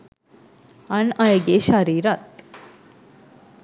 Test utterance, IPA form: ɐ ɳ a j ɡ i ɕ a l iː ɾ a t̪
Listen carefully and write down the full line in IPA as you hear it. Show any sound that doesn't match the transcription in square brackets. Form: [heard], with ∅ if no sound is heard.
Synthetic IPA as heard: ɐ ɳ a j ɡ [e] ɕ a [ɾ] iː ɾ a t̪